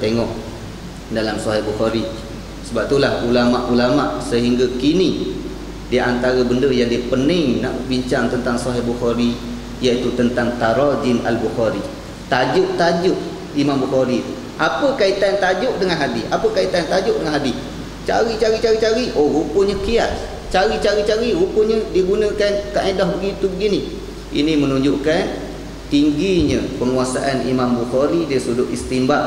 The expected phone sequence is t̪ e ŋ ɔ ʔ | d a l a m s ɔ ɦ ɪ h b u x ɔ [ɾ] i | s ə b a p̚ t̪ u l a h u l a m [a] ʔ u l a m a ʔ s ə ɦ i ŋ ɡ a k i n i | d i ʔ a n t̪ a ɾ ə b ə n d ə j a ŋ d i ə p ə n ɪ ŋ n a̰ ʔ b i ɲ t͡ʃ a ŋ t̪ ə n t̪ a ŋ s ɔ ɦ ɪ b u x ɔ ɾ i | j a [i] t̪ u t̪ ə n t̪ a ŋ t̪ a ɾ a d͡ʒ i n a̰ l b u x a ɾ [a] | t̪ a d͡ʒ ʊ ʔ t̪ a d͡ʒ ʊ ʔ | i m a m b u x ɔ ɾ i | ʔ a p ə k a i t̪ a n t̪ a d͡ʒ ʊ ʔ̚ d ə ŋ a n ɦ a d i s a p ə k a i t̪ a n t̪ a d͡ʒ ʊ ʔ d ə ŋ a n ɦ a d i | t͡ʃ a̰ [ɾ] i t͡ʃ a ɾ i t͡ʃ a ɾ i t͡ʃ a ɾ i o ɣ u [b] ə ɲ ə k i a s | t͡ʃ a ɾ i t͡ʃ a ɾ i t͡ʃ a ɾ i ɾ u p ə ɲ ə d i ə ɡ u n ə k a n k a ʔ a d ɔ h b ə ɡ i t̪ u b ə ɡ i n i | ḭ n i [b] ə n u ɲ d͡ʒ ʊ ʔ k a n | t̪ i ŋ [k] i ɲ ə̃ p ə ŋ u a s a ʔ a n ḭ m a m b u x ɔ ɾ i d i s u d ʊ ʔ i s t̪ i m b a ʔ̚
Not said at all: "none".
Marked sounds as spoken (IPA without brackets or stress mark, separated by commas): ɾ, a, i, i, ɾ, p, m, ɡ